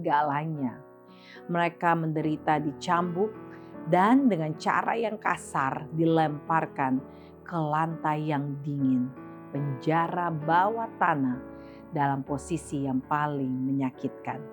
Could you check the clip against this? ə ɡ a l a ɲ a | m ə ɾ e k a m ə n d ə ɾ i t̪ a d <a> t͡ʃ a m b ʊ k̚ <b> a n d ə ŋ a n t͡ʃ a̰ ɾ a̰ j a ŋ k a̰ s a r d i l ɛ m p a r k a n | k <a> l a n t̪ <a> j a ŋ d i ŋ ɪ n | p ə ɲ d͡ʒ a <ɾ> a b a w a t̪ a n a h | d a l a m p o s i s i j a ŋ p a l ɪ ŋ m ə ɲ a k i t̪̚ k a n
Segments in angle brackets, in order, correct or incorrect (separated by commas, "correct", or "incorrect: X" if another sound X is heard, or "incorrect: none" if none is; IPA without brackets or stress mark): incorrect: i, incorrect: d, incorrect: ə, correct, correct